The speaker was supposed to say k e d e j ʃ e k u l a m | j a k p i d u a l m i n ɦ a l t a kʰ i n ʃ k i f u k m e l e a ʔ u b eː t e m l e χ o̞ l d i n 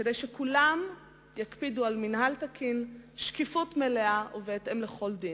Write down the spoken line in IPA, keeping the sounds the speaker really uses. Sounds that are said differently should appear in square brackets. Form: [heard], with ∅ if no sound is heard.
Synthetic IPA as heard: k e d e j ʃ e k u l a m | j a k p i d u a l m i n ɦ a l t a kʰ i n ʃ k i f u [t] m e l e a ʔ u [v] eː t e m l e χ o̞ l d i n